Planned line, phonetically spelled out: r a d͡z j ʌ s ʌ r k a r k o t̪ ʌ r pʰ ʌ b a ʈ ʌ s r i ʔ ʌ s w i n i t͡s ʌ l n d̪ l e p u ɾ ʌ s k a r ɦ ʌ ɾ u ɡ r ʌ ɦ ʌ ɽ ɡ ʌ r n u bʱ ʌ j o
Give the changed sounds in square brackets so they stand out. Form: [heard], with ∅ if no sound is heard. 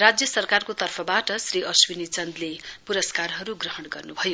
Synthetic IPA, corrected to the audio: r a d͡z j ʌ s ʌ r k a r k o t̪ ʌ r pʰ ʌ b a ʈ ʌ s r i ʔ ʌ s w i n i t͡s ʌ [∅] n d̪ l e p u ɾ ʌ s k a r ɦ ʌ ɾ u ɡ r ʌ ɦ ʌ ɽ ɡ ʌ r n u bʱ ʌ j o